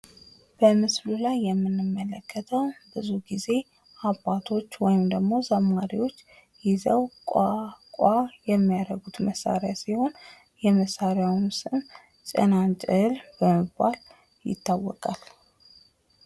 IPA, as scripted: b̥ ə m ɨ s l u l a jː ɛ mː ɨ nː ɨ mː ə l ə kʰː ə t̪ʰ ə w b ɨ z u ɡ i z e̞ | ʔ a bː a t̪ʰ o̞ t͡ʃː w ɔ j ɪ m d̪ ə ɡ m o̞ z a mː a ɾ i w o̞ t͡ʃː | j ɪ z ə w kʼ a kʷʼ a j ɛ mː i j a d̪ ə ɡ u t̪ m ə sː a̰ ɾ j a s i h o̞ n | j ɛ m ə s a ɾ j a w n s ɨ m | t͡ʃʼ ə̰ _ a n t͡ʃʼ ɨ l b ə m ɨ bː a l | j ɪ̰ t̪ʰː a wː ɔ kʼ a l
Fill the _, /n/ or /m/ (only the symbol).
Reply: n